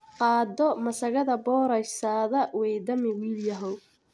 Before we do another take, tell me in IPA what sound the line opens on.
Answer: q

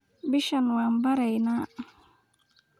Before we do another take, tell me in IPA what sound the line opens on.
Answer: b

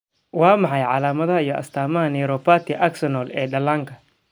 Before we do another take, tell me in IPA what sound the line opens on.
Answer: w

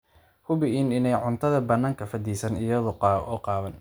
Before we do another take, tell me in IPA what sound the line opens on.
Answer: h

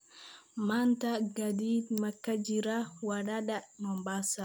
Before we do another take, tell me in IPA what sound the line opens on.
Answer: m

